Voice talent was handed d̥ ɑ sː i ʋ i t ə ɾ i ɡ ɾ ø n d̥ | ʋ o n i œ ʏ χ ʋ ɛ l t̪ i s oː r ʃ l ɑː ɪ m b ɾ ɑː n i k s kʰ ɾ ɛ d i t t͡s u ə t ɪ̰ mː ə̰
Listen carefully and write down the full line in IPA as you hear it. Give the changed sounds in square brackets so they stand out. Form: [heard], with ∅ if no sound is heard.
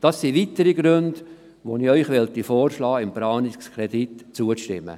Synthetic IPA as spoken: d̥ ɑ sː i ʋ i t ə ɾ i ɡ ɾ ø n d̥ | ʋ o n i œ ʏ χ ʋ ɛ l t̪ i [f] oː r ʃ l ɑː ɪ m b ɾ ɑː n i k s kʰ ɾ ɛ d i t t͡s u ə t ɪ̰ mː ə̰